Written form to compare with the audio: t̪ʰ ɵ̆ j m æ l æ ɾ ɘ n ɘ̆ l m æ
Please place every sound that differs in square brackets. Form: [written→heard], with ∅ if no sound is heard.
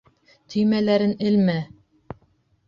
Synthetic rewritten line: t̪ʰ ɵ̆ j m æ l æ ɾ ɘ n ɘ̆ l m æ